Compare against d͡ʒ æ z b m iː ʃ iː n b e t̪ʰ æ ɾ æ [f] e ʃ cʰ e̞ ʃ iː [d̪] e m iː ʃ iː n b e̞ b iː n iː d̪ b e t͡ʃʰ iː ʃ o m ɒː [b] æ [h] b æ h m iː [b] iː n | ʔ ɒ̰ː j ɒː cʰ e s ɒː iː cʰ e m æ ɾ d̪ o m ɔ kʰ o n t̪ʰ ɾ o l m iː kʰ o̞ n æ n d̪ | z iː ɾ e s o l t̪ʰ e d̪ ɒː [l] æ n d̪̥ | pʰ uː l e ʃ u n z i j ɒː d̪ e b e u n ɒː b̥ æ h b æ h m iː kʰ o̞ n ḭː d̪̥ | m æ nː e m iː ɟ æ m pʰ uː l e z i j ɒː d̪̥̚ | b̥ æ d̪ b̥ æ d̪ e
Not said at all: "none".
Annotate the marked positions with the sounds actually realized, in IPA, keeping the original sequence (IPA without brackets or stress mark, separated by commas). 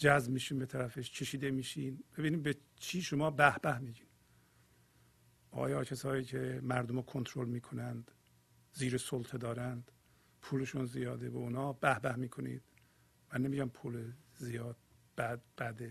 f, d̪, b, h, ɟ, ɾ